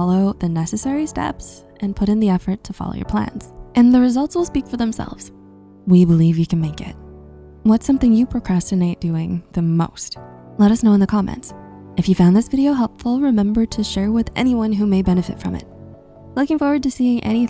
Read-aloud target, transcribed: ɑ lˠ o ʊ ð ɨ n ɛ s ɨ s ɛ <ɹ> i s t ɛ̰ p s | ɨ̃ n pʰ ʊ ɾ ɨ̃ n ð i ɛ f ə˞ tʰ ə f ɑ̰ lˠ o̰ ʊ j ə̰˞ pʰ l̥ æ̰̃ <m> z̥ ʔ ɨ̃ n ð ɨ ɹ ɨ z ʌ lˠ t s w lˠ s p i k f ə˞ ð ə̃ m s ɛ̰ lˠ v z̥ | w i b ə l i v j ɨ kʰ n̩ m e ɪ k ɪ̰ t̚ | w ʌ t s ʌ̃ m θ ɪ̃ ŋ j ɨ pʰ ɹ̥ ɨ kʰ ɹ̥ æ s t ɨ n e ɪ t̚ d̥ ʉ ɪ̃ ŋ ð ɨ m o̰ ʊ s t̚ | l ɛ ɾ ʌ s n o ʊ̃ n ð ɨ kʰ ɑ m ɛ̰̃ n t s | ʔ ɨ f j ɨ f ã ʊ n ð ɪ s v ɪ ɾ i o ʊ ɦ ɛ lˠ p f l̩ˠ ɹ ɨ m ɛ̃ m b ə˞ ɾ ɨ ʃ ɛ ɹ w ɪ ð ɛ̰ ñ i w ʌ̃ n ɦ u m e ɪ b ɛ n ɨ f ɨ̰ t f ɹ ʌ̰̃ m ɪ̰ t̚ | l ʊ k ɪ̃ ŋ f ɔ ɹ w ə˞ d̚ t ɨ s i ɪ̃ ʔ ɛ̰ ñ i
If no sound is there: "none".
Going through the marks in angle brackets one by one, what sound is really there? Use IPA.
ɹ, n

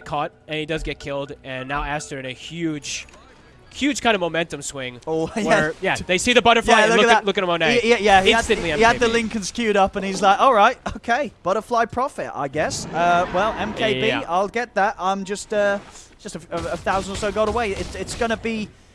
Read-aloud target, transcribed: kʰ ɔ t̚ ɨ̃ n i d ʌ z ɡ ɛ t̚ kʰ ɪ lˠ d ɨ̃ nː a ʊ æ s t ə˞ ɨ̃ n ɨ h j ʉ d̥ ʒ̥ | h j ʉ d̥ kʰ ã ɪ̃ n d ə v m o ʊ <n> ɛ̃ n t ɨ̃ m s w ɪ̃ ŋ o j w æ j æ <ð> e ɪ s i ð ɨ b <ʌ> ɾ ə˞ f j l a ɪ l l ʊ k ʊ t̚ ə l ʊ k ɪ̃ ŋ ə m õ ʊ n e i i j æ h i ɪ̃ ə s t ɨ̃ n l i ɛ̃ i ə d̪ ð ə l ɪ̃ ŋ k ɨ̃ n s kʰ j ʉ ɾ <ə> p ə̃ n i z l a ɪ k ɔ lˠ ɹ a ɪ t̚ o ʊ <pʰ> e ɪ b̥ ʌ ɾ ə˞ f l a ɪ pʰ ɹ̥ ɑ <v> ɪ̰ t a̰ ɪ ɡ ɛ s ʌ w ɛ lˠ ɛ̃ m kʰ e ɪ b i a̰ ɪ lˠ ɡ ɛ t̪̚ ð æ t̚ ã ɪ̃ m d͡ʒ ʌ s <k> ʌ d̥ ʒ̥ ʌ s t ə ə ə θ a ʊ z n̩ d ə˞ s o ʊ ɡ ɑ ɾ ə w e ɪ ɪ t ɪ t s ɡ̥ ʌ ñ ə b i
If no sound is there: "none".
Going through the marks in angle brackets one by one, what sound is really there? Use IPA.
m, ð, ʌ, ʌ, kʰ, f, t

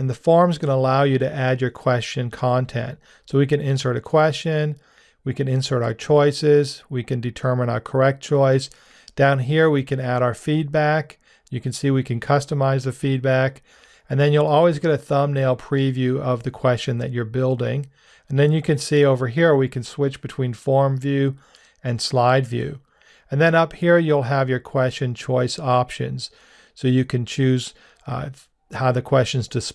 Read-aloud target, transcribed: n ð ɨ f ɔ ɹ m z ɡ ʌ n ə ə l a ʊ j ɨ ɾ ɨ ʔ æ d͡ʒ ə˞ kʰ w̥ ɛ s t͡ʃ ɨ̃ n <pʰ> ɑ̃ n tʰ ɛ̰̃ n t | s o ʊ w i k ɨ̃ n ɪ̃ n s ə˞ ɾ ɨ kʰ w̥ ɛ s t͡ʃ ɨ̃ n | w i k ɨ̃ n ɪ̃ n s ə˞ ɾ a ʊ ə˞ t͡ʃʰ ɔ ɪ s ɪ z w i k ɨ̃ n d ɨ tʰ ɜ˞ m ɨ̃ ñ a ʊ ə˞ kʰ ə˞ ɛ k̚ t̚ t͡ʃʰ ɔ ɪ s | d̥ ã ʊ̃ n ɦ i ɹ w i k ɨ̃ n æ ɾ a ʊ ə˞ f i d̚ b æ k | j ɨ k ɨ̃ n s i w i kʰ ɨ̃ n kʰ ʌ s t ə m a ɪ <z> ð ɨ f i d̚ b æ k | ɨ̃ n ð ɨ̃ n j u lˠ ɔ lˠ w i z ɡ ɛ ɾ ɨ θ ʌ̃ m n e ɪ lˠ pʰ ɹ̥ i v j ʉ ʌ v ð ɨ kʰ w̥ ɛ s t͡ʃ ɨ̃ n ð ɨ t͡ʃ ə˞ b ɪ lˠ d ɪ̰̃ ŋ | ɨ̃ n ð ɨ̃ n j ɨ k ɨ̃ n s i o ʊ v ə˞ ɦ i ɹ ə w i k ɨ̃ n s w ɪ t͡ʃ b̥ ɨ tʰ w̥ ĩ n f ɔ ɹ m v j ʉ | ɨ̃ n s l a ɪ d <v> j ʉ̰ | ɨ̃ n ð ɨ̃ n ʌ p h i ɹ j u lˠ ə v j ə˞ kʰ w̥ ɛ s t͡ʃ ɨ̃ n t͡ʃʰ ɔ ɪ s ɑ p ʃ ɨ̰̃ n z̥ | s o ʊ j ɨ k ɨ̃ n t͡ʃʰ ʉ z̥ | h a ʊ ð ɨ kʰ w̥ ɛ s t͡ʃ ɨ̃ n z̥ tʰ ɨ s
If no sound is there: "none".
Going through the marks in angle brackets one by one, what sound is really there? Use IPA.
kʰ, z, v

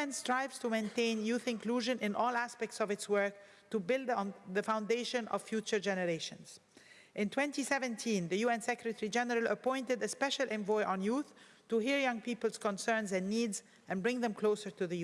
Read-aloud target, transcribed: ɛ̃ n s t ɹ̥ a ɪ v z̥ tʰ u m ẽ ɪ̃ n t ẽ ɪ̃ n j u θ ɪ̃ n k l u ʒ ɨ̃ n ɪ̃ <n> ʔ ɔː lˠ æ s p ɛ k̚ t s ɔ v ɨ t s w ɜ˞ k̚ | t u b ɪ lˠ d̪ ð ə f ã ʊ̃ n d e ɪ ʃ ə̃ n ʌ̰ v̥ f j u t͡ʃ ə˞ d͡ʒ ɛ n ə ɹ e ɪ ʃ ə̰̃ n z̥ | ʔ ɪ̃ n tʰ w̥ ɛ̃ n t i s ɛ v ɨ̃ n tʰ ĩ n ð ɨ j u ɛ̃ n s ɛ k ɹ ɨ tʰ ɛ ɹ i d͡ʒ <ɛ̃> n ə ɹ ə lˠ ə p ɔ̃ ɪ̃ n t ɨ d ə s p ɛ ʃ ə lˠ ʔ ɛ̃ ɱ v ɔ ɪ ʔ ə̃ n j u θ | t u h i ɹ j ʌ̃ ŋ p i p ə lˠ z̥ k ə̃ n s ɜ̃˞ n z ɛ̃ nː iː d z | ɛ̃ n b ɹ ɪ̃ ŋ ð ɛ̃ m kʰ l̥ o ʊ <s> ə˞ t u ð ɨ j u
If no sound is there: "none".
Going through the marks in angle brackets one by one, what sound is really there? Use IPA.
n, ɛ, s

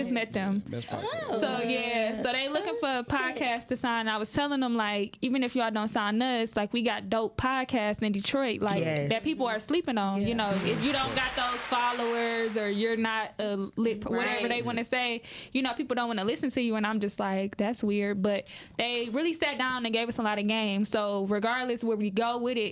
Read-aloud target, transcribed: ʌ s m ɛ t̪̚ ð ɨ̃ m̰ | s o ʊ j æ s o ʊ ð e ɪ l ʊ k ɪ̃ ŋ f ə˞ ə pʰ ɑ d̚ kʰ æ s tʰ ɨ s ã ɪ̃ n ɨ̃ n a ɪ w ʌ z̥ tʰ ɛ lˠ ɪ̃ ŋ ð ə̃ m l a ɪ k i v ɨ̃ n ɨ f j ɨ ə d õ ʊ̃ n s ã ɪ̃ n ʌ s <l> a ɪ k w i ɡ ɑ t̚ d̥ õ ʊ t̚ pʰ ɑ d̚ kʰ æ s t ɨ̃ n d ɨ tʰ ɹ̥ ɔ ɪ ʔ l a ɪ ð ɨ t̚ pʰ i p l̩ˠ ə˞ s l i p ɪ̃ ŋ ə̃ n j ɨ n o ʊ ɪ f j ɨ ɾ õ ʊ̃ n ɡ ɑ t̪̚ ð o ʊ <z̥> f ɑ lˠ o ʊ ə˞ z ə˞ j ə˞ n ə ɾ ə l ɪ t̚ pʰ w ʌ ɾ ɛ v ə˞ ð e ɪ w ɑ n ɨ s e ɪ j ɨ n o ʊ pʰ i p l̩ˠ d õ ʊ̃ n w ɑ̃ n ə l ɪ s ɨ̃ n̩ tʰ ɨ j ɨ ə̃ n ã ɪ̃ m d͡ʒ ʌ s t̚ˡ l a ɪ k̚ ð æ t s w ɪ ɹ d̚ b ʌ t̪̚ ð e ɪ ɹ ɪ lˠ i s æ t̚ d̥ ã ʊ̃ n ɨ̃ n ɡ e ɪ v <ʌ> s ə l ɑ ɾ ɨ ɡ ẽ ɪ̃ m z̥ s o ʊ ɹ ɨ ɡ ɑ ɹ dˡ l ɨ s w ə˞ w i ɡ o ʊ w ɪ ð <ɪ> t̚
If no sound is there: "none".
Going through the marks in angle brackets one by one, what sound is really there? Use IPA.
l, z̥, ʌ, ɪ

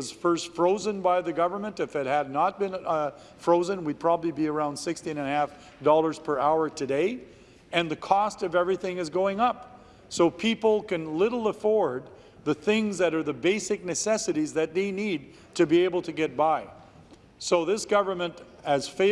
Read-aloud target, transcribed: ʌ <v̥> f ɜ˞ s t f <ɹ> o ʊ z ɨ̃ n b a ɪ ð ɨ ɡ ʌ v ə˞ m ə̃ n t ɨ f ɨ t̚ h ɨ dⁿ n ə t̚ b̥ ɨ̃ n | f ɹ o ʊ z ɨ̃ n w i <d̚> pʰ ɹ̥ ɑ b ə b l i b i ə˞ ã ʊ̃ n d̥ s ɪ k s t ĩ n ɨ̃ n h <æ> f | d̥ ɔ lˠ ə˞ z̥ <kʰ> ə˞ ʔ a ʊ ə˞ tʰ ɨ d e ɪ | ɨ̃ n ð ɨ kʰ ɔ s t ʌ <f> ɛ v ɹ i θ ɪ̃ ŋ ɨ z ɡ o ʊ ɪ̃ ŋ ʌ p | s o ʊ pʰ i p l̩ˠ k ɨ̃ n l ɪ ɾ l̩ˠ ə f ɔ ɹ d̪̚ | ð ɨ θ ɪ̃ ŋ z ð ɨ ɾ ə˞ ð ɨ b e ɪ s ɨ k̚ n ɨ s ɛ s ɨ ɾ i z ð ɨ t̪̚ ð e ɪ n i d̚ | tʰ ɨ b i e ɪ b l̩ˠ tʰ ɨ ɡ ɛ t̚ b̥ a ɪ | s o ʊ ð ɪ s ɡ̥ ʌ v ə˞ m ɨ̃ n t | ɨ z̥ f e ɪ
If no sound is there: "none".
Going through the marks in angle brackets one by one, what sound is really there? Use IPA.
z̥, ɹ, d̚, æ, pʰ, v

